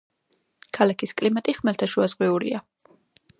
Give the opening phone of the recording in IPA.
kʰ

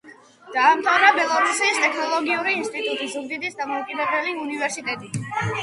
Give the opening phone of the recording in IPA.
d̪̥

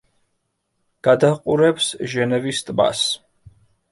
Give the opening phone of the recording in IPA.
ɡ̥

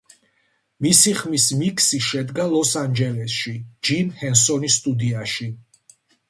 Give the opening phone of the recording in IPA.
m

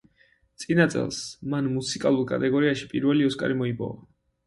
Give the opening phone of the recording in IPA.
t̪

